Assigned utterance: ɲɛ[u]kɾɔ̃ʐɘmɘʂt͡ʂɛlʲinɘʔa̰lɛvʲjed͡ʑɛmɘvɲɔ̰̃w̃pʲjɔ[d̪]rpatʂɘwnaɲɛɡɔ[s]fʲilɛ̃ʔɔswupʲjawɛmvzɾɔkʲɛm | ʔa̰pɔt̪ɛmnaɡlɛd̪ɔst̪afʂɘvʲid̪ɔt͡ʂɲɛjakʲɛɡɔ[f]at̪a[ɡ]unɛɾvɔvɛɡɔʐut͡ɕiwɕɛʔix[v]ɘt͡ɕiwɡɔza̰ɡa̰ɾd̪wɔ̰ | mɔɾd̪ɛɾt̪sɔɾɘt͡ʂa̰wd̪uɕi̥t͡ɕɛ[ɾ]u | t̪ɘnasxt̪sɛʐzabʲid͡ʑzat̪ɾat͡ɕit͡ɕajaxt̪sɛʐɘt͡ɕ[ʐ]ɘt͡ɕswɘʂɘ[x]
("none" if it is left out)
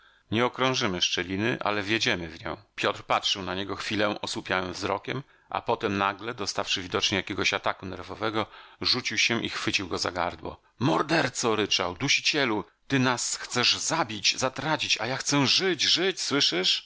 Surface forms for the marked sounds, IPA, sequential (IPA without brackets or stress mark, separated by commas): ɔ, t̪, x, ɕ, k, f, l, ʐ, ʂ